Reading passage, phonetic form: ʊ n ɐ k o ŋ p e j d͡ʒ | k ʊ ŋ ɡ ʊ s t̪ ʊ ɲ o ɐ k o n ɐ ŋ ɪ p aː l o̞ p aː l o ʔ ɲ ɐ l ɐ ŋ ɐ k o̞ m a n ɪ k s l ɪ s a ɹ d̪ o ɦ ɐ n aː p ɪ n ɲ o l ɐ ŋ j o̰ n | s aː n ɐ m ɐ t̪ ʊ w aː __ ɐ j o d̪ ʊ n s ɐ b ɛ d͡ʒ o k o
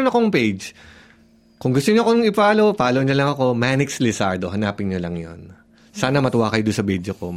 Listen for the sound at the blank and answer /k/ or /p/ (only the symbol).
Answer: k